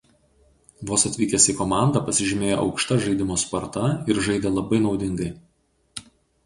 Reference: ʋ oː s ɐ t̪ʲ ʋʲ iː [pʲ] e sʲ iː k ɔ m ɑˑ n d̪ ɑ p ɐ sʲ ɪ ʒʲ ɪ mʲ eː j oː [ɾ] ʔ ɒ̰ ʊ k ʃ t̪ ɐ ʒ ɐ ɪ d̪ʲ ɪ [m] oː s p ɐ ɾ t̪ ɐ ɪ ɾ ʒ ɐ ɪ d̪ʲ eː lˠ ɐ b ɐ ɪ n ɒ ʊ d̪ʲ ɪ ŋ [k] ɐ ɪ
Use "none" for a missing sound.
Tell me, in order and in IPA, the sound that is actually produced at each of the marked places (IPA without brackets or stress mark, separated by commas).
kʲ, none, m, ɡ